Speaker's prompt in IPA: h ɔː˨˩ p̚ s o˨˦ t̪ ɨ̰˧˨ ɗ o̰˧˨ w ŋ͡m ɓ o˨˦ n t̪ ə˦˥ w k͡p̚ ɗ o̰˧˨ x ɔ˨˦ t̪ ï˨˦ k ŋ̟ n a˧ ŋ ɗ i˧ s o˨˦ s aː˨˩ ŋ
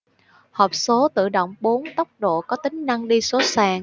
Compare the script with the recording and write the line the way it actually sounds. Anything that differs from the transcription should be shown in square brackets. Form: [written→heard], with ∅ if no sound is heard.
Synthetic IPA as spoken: h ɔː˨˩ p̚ s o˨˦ t̪ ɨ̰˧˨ ɗ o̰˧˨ w ŋ͡m ɓ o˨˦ n t̪ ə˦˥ w k͡p̚ ɗ o̰˧˨ [x→k] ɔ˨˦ t̪ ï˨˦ [k→∅] ŋ̟ n a˧ ŋ ɗ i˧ s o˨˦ s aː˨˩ ŋ